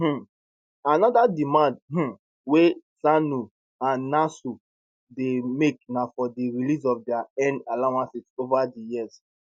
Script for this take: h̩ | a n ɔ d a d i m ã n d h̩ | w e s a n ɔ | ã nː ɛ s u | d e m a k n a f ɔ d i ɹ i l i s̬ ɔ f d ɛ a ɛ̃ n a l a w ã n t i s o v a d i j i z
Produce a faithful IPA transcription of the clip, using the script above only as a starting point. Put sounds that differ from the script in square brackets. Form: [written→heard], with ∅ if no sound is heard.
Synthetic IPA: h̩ | a n ɔ d a d i m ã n d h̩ | w e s a n [ɔ→u] | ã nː [ɛ→a] s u | d e m [a→e] k n a f ɔ d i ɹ i l i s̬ ɔ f d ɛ a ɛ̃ n a l a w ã n [t→s] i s o v a d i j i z

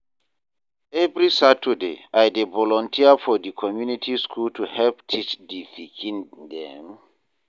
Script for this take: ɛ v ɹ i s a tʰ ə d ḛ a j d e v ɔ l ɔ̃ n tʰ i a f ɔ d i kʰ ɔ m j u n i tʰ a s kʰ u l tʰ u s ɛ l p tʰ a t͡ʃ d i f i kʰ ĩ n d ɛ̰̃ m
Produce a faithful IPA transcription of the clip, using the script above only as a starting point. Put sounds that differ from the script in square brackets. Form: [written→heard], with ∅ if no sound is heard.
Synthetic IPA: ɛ v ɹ i s a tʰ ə d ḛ a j d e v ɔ l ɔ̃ n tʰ i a f ɔ d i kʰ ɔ m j u n i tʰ [a→i] s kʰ u l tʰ u [s→h] ɛ l p tʰ [a→i] t͡ʃ d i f i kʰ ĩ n d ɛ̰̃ m

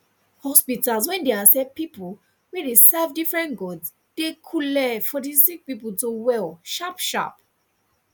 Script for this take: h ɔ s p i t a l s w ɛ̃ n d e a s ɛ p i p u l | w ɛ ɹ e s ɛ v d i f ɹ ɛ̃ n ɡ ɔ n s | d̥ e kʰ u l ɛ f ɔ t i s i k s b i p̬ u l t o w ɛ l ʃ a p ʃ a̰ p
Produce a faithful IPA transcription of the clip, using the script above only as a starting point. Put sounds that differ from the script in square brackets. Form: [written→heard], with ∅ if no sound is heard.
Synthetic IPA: h ɔ s p i t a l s w ɛ̃ n d e a s ɛ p i p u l | w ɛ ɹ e s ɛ v d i f ɹ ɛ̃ n ɡ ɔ [n→d] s | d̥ e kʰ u l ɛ f ɔ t i s i k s [b→p] i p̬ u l t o w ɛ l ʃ a p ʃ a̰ p

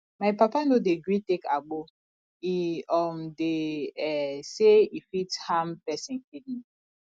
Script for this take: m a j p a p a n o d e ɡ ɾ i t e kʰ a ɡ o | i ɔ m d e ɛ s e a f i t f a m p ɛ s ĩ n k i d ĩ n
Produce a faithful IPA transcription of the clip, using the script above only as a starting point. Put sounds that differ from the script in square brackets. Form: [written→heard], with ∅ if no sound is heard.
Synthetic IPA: m a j p a p a n o d e ɡ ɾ i t e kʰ a [ɡ→ɡ͡b] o | i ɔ m d e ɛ s e [a→i] f i t [f→h] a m p ɛ s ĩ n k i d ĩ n

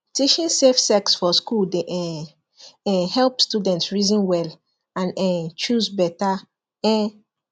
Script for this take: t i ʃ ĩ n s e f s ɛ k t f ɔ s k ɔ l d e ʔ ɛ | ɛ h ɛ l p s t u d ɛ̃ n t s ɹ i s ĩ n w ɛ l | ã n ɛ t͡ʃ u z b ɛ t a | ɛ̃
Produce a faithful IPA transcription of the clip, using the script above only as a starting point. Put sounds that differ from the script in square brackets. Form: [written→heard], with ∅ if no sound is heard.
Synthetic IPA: t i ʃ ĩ n s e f s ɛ k [t→s] f ɔ s k [ɔ→u] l d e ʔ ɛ | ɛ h ɛ l p s t u d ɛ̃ n t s ɹ i [s→z] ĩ n w ɛ l | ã n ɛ t͡ʃ u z b ɛ t a | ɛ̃

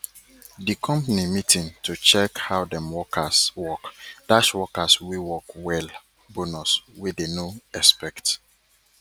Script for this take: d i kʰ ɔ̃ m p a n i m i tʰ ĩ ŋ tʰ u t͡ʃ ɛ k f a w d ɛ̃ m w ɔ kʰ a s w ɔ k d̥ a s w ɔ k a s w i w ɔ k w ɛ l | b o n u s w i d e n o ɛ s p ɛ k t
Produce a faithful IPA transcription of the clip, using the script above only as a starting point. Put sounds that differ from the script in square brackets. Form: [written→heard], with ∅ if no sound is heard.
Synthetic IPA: d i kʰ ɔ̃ m p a n i m i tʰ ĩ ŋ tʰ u t͡ʃ ɛ k [f→h] a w d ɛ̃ m w ɔ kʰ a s w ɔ k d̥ a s w ɔ k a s w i w ɔ k w ɛ l | b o n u s w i d e n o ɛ s p ɛ k t

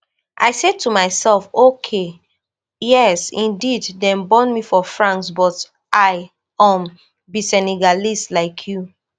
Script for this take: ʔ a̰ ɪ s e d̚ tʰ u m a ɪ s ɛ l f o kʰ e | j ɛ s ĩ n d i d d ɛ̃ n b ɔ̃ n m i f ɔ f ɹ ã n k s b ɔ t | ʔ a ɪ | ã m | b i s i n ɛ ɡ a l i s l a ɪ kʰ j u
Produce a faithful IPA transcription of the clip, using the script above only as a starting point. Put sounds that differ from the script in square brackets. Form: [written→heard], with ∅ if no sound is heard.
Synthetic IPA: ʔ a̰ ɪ s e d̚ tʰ u m a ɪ s ɛ l f o kʰ e | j ɛ s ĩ n d i d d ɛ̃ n b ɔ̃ n m i f ɔ f ɹ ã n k s b ɔ t | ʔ a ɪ | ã m | b i s [i→ɛ] n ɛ ɡ a l i s l a ɪ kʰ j u

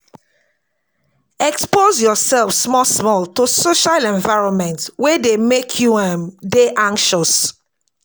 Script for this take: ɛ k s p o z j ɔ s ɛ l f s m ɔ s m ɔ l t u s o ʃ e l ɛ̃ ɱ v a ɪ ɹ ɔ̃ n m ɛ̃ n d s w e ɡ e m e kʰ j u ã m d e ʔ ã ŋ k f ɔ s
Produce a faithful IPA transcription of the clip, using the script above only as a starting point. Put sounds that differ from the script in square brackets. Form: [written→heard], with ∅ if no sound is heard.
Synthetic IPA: ɛ k s p o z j ɔ s ɛ l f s m ɔ s m ɔ l t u s o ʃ [e→a] l ɛ̃ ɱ v a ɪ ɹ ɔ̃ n m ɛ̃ n [d→t] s w e [ɡ→d] e m e kʰ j u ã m d e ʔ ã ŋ k [f→ʃ] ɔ s

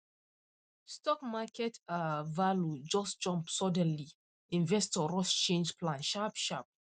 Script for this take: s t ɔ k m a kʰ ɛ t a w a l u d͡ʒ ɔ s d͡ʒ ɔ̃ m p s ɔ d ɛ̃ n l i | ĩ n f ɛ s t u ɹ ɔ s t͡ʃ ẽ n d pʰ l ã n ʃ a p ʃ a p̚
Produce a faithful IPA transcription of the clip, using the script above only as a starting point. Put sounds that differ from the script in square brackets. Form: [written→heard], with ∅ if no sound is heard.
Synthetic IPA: s t ɔ k m a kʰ ɛ t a [w→v] a l u d͡ʒ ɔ s d͡ʒ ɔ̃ m p s ɔ d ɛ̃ n l i | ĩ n [f→v] ɛ s t [u→ɔ] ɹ ɔ s t͡ʃ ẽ n [d→d͡ʒ] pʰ l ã n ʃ a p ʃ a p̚

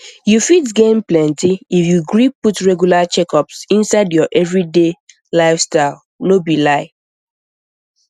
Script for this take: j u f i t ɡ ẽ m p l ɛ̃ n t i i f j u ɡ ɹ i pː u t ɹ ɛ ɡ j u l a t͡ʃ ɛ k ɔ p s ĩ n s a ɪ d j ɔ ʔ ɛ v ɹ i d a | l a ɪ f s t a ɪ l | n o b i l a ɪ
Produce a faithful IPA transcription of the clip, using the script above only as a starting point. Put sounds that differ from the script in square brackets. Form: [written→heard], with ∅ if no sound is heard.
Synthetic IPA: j u f i t ɡ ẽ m p l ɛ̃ n t i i f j u ɡ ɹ i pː u t ɹ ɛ ɡ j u l a t͡ʃ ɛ k ɔ p s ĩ n s a ɪ d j ɔ ʔ ɛ v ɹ i d [a→e] | l a ɪ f s t a ɪ l | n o b i l a ɪ

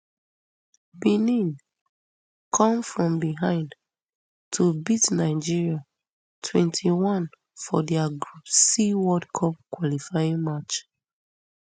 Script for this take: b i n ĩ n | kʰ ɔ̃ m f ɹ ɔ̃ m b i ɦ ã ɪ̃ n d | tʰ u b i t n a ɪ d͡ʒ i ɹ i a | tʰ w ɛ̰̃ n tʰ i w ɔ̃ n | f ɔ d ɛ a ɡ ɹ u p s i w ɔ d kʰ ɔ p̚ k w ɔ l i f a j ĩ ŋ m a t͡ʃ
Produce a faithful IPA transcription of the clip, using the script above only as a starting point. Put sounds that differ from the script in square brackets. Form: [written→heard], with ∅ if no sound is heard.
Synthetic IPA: b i n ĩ n | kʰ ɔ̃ m f ɹ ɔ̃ m b i ɦ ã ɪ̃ n d | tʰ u b i t n a ɪ d͡ʒ i ɹ i a | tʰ w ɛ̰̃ n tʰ i w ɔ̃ n | f ɔ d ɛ a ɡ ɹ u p s i w ɔ d kʰ ɔ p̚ k w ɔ l i f a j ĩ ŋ m a t͡ʃ

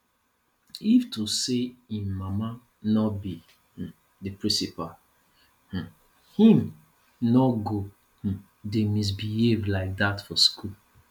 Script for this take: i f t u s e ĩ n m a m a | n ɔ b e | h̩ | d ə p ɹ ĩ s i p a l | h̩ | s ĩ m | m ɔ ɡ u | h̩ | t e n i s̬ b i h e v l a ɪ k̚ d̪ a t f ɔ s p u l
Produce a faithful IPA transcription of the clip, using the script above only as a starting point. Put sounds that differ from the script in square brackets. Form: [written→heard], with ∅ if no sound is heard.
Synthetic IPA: i f t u s e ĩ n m a m a | n ɔ b [e→i] | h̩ | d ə p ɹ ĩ s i p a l | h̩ | [s→h] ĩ m | [m→n] ɔ ɡ [u→o] | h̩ | [t→d] e [n→m] i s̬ b i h e v l a ɪ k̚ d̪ a t f ɔ s [p→k] u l

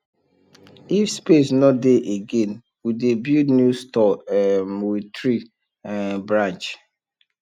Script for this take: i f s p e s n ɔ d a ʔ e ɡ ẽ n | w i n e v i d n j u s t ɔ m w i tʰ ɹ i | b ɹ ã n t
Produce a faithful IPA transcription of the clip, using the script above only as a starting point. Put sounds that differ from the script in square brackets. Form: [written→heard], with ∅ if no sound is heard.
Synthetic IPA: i f s p e s n ɔ d [a→e] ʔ e ɡ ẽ n | w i [n→d] e [v→b] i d n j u s t ɔ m w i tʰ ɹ i | b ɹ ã n [t→t͡ʃ]

